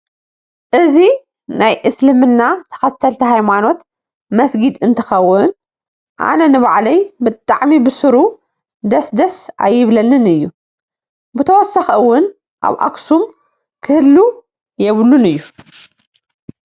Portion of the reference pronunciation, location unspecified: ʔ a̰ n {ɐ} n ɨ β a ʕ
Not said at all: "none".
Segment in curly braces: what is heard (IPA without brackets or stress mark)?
ɐ